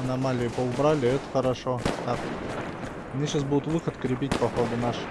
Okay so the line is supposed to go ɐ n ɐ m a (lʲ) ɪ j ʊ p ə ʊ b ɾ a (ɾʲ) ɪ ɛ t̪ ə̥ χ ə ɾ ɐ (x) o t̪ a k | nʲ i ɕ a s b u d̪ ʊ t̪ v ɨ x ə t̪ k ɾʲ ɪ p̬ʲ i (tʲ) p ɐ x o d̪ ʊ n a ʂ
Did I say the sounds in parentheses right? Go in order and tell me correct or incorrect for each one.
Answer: correct, incorrect, incorrect, correct

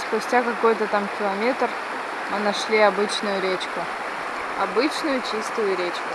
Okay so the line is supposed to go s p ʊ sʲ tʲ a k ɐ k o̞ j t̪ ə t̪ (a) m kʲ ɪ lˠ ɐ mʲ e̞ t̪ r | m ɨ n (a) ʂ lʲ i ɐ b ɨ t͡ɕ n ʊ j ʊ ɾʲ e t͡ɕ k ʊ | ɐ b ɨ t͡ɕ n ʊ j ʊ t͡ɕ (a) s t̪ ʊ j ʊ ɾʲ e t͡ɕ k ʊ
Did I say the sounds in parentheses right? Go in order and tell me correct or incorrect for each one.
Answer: correct, incorrect, incorrect

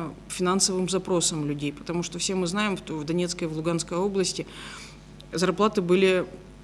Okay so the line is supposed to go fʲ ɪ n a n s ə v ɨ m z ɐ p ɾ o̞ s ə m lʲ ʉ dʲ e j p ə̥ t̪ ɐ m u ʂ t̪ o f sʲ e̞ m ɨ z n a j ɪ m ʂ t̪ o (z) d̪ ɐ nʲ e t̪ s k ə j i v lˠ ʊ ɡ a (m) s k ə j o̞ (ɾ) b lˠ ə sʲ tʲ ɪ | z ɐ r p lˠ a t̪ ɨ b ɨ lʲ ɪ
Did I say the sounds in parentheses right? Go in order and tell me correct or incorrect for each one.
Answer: incorrect, incorrect, incorrect

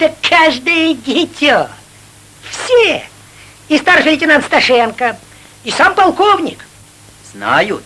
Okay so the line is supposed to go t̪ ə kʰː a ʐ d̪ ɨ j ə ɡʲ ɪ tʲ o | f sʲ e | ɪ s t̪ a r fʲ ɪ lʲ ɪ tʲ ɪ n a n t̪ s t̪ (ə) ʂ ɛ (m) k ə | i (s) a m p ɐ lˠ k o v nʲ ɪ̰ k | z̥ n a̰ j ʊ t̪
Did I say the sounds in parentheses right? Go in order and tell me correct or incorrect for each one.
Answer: incorrect, incorrect, correct

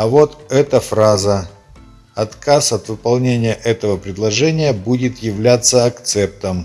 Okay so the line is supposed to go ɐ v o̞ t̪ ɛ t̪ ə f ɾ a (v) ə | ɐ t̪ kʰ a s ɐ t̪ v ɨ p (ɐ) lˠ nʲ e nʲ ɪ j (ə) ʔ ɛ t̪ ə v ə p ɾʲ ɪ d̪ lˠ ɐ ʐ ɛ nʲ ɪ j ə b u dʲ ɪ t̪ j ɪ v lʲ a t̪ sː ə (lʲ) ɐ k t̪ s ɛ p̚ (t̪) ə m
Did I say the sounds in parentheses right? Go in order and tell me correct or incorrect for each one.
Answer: incorrect, correct, correct, incorrect, correct

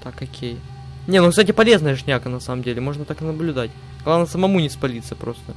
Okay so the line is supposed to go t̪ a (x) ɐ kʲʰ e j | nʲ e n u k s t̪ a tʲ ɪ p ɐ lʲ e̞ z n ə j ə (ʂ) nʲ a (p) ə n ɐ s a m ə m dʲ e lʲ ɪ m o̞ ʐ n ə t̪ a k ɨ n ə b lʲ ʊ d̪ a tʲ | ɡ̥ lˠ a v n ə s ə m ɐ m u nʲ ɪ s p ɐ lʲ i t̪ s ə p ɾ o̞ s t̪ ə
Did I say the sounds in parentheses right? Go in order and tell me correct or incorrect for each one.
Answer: incorrect, correct, incorrect

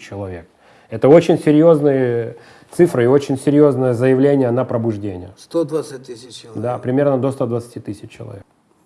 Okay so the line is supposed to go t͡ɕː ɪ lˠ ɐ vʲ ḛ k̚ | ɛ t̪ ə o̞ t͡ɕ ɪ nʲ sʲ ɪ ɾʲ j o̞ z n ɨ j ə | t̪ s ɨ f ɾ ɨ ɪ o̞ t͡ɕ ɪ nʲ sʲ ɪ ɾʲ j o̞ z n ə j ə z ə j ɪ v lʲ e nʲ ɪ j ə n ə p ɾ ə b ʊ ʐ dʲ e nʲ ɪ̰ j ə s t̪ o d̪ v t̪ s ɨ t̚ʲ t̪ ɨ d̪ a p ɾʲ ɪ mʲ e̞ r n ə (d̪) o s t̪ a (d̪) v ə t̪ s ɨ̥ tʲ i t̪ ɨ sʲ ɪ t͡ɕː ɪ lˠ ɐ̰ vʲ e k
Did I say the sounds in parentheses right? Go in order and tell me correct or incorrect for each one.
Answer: correct, correct

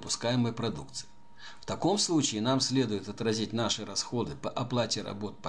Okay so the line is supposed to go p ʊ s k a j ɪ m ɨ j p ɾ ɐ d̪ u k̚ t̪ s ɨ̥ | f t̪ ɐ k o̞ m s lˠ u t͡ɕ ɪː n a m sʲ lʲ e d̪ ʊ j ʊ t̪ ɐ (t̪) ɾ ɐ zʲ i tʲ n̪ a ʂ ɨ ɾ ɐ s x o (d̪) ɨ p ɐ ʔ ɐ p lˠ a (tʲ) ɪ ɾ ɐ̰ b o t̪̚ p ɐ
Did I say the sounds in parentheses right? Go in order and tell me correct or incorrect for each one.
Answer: correct, correct, correct

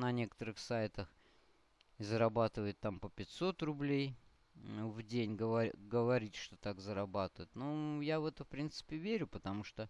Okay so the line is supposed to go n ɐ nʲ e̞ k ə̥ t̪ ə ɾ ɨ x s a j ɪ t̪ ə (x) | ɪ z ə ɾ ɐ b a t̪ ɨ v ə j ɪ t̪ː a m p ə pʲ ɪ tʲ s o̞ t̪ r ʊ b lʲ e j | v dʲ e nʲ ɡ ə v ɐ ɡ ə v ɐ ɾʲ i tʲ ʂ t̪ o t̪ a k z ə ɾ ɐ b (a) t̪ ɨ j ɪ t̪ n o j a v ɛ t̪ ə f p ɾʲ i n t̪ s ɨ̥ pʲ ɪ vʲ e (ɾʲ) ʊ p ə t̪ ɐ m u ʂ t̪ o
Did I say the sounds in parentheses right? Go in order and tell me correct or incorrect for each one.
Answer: correct, correct, correct

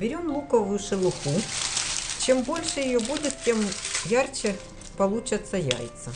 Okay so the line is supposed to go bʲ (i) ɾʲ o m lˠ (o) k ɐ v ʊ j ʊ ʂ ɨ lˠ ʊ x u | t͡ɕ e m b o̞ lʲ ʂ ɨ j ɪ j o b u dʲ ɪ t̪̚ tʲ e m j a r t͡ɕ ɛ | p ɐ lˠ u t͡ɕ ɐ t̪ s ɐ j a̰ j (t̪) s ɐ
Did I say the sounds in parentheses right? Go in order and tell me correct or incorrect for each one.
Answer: incorrect, incorrect, correct

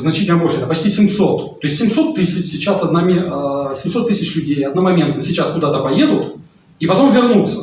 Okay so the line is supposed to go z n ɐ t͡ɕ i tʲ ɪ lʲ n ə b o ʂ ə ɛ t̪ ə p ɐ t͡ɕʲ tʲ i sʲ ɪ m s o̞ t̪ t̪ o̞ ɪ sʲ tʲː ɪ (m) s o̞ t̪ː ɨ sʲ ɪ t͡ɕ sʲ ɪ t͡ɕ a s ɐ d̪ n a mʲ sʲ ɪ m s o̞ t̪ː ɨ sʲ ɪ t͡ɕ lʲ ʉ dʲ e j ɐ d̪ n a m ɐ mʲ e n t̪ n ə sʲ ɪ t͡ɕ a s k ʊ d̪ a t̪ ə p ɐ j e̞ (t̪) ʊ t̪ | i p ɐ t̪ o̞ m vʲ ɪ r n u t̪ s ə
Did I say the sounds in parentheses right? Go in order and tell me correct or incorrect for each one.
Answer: correct, incorrect

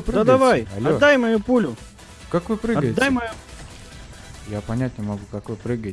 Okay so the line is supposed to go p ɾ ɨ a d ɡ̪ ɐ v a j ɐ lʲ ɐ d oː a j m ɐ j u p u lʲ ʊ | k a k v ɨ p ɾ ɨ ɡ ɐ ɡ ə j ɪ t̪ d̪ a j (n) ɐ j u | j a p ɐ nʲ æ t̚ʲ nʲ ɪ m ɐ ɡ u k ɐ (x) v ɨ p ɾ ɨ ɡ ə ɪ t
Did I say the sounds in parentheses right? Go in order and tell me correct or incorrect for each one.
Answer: incorrect, incorrect

